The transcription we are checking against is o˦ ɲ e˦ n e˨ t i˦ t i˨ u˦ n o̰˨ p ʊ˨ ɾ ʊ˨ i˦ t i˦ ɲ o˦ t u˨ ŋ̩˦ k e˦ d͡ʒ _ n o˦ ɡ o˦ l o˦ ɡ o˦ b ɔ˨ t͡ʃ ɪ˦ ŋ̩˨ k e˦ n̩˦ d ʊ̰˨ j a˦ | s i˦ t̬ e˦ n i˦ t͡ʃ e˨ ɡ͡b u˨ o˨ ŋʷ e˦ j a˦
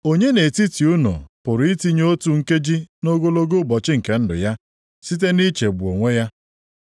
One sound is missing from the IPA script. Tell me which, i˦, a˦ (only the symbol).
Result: i˦